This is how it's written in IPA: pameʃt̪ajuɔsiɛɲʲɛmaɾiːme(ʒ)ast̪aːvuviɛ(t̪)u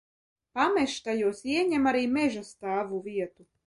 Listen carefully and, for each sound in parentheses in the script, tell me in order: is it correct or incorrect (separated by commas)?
correct, correct